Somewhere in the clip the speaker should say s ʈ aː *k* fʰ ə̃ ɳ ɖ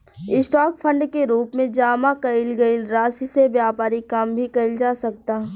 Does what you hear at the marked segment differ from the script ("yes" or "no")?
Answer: no